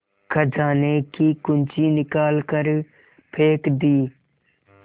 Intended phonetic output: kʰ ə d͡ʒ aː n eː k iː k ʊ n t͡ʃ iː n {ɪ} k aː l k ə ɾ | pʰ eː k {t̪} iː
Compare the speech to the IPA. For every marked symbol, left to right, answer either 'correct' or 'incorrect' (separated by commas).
correct, incorrect